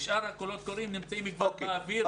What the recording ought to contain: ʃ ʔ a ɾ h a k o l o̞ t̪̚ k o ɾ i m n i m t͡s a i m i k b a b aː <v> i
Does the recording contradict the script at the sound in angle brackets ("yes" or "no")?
no